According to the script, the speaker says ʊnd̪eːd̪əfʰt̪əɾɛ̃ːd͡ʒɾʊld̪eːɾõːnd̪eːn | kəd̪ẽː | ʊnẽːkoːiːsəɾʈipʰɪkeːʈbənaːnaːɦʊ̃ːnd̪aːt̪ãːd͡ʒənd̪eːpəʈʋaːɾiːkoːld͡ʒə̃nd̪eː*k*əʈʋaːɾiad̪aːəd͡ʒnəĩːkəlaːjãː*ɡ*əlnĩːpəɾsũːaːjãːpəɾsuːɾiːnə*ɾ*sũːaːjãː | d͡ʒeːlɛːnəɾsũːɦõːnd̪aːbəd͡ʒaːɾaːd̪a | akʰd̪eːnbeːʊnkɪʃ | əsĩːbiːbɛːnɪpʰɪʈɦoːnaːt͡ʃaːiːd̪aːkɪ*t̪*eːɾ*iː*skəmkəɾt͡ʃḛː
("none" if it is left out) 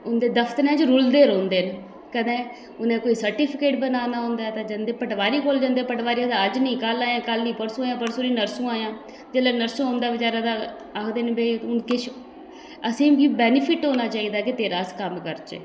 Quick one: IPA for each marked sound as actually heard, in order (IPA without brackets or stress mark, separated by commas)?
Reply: p, k, ɾ, t̪, aː